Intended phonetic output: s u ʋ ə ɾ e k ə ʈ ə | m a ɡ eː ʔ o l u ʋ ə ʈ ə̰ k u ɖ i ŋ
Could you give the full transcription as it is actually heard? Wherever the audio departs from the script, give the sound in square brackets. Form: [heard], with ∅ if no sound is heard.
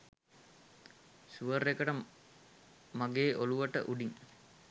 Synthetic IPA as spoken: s u ʋ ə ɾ e k ə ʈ ə | m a ɡ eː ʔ o l u ʋ ə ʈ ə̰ [ʔ] u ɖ i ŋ